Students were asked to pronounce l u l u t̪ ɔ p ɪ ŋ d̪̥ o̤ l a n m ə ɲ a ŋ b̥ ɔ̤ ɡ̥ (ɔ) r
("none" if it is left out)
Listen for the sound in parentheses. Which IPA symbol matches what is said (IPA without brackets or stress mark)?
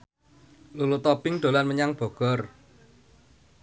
ɔ